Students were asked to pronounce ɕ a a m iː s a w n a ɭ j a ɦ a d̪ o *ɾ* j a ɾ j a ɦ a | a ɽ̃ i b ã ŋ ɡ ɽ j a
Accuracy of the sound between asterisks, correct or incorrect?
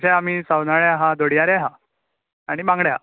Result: incorrect